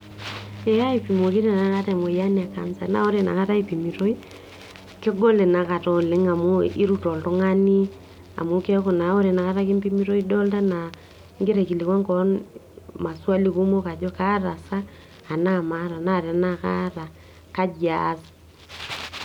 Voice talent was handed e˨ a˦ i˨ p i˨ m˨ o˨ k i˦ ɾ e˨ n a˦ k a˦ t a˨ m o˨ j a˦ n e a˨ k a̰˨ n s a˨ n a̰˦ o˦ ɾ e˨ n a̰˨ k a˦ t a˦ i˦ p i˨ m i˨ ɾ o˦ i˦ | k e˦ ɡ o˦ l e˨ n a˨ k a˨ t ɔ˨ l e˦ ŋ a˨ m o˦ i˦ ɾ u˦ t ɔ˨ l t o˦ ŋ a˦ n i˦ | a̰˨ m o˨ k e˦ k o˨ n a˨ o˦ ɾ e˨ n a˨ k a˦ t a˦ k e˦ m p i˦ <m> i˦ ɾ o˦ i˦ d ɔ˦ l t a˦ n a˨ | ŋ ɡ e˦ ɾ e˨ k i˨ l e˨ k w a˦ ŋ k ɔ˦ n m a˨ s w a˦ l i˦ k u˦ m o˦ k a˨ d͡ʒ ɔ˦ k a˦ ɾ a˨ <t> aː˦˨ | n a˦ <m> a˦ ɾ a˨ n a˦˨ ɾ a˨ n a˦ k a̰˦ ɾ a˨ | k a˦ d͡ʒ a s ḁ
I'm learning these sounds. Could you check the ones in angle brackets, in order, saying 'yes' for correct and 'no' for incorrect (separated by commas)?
yes, no, yes